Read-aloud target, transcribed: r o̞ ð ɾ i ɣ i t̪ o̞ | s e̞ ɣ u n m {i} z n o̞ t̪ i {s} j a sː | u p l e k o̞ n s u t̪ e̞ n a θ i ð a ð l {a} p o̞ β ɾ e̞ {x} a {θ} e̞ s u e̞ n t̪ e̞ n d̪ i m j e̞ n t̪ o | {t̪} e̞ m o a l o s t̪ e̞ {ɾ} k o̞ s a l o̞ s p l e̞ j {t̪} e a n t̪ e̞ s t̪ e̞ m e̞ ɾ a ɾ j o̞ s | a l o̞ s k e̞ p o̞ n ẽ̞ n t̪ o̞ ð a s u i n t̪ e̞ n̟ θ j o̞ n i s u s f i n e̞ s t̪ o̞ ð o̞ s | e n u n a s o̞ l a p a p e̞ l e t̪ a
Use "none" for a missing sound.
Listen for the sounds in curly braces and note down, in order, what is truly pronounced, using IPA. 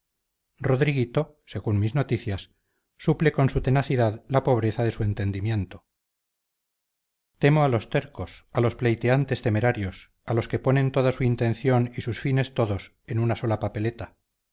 i, θ, a, θ, ð, t̪, ɾ, t̪

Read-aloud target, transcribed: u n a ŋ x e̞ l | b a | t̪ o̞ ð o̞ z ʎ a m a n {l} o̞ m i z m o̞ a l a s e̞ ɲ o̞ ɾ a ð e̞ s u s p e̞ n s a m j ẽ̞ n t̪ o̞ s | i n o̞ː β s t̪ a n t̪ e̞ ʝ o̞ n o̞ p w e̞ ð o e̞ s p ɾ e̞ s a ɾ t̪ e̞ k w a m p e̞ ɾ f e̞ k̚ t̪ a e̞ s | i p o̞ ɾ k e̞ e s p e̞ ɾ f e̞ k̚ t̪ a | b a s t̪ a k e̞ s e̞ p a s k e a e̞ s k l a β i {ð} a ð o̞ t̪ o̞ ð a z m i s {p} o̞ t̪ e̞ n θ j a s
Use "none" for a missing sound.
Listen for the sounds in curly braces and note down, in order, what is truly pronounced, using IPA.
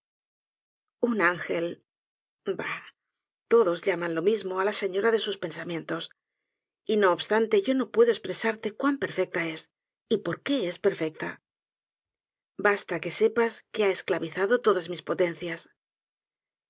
l, θ, p

